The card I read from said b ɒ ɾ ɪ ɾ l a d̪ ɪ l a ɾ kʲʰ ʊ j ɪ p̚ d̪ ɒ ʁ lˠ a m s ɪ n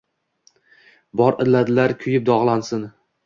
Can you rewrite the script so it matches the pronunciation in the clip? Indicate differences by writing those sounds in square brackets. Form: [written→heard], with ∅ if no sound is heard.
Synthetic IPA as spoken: b ɒ ɾ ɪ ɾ l a d̪ ɪ l a ɾ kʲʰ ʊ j ɪ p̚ d̪ ɒ ʁ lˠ a [m→n] s ɪ n